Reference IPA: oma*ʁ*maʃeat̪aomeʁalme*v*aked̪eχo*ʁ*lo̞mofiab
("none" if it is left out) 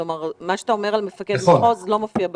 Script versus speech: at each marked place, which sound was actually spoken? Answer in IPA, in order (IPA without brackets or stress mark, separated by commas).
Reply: ʁ, f, z